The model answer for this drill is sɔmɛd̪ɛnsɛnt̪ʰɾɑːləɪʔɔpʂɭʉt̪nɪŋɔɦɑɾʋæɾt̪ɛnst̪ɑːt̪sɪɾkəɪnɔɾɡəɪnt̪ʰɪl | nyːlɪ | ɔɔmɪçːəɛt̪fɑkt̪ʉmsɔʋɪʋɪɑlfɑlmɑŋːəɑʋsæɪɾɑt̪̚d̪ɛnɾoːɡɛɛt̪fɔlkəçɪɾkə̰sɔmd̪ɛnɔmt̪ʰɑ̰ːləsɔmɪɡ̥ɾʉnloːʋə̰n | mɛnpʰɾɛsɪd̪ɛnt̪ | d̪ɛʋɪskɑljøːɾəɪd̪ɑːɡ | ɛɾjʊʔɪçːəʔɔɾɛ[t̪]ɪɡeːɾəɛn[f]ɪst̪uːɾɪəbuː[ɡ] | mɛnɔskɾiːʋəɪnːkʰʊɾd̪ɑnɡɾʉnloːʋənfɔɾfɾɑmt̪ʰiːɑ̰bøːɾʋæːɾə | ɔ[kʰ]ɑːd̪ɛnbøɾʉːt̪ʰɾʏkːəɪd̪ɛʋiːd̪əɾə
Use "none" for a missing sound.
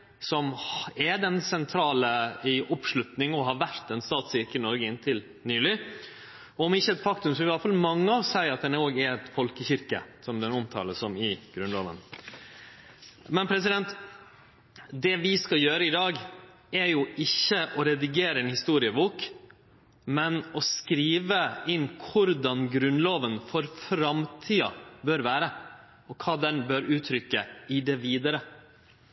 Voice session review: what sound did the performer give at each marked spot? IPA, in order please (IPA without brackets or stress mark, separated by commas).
d̪, h, k, kʰ